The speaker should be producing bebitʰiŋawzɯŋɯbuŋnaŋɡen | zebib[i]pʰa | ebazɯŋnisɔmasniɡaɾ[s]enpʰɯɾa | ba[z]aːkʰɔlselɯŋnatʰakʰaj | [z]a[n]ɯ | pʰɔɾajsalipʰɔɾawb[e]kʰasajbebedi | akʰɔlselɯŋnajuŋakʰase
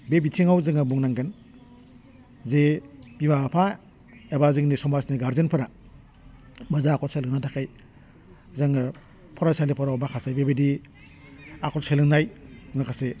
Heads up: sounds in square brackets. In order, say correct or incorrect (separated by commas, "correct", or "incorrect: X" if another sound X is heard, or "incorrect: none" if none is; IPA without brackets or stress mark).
incorrect: a, incorrect: z, correct, correct, incorrect: ŋ, incorrect: a